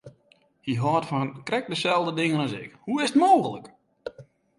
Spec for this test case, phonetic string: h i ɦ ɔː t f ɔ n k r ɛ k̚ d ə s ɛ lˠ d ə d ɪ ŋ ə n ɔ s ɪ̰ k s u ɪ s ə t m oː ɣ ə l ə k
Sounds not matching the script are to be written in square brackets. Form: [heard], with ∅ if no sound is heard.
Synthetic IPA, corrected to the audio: h i ɦ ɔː t f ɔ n k r ɛ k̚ d ə s ɛ lˠ d ə d ɪ ŋ ə n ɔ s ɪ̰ k [h] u ɪ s ə t m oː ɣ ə l ə k